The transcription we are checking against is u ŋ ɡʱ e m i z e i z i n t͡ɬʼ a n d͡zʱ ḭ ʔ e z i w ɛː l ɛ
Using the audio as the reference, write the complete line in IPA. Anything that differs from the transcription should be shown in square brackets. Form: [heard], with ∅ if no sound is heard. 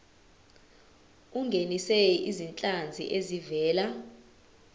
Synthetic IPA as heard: u ŋ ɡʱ e [n] i [s] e i z i n t͡ɬʼ a n d͡zʱ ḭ ʔ e z i [v] ɛː l [a]

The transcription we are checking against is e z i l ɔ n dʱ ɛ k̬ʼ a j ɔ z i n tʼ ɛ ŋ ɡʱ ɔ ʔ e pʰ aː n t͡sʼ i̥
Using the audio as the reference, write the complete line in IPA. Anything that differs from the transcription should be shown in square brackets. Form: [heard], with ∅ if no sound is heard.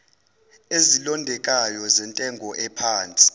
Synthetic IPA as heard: e z i l ɔ n dʱ ɛ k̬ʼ a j ɔ z [ɛ] n tʼ ɛ ŋ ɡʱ ɔ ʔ [ɛ] pʰ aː n t͡sʼ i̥

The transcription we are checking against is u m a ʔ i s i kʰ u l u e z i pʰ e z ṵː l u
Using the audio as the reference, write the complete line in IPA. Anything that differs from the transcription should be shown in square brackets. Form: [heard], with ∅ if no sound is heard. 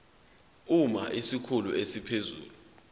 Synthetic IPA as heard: u m a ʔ i s i kʰ u l u e [s] i pʰ e z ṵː l u

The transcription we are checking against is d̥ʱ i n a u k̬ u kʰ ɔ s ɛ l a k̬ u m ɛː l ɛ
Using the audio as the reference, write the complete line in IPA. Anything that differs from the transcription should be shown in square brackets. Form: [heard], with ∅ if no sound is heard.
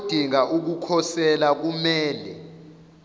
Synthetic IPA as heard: d̥ʱ i [ŋ] a u k̬ u kʰ ɔ s ɛ l a k̬ u m ɛː l ɛ

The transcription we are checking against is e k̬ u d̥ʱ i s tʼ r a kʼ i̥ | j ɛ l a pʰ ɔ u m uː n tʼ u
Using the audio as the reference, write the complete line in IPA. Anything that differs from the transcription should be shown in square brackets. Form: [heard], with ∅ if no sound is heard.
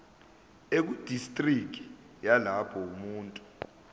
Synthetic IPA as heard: e k̬ u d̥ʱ i s tʼ r [i] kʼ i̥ | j [a] l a pʰ ɔ u m uː n tʼ u

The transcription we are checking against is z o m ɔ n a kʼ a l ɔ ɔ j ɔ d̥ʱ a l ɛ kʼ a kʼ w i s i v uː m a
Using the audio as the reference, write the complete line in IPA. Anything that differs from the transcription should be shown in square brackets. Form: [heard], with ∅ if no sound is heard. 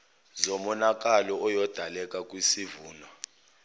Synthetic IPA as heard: z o m ɔ n a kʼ a l ɔ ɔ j ɔ d̥ʱ a l ɛ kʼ a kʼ w i s i v uː [n] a

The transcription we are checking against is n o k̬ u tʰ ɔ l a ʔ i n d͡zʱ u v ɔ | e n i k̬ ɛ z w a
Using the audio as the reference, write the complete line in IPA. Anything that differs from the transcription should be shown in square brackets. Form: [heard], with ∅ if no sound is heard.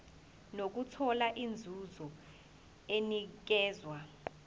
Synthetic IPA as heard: n o k̬ u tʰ ɔ l a ʔ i n d͡zʱ u [z] ɔ | e n i k̬ [ɛː] z w a

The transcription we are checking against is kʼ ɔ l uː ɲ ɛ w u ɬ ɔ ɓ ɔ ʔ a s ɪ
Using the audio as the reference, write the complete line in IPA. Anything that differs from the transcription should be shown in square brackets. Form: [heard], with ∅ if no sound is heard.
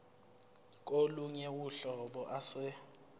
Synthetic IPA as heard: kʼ [o] l [u] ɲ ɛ w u ɬ ɔ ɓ ɔ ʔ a s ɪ

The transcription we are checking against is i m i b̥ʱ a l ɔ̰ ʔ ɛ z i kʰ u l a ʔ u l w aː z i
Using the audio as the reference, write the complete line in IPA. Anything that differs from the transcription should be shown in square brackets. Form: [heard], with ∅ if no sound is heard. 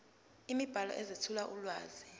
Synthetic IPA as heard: i m i b̥ʱ a l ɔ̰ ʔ ɛ z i [tʰ] u l a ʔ u l w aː z i

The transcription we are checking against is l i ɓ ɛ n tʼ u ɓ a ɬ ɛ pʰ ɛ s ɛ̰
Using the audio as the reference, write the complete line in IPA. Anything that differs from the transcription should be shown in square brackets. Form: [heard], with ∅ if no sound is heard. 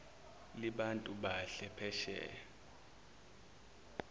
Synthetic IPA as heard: l i ɓ [a] n tʼ u ɓ a ɬ ɛ pʰ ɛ [ʃ] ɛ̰

